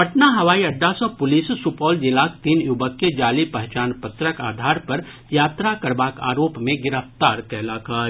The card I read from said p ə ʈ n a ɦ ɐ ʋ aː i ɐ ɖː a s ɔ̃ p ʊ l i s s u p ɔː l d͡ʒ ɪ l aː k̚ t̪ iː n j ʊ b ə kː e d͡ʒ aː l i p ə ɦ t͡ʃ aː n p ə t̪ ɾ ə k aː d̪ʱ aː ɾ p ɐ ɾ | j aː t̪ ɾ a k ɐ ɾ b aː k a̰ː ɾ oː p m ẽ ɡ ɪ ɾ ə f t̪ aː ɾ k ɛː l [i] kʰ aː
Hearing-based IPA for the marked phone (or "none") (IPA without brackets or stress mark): a